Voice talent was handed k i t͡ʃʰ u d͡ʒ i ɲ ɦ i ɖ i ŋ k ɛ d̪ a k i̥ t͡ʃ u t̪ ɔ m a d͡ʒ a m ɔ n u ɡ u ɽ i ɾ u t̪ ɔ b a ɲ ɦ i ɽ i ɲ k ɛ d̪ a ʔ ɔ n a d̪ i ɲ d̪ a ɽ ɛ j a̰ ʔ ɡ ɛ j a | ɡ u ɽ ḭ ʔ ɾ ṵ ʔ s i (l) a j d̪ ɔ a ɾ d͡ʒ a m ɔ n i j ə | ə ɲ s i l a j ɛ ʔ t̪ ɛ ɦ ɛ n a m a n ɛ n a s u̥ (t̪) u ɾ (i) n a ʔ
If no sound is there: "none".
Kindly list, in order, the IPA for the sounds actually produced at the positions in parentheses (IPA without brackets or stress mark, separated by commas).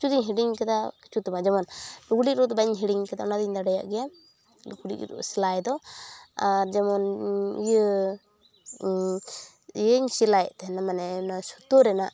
l, t̪, ɛ